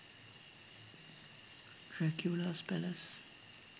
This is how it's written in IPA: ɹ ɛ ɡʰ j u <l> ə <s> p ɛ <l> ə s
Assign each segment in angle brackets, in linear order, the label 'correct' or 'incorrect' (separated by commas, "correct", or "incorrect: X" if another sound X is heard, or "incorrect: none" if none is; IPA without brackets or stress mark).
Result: correct, correct, correct